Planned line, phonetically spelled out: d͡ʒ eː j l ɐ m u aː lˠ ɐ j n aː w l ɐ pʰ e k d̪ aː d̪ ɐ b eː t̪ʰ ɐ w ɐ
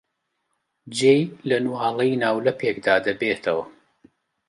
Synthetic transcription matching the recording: d͡ʒ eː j l ɐ n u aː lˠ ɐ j n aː w l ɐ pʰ e k d̪ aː d̪ ɐ b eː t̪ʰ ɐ w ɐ